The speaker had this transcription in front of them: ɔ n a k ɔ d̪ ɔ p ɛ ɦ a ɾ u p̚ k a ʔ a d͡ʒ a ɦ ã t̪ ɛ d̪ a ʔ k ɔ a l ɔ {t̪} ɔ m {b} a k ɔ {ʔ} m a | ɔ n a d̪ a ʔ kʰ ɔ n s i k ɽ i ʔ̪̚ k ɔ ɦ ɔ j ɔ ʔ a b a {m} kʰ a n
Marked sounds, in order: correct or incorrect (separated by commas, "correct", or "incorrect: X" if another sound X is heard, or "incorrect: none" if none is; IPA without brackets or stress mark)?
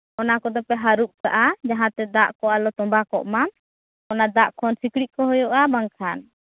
correct, correct, correct, incorrect: ŋ